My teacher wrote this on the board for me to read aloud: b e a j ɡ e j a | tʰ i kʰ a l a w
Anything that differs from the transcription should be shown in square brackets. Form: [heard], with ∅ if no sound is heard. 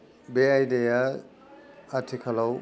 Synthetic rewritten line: b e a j [d] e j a | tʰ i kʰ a l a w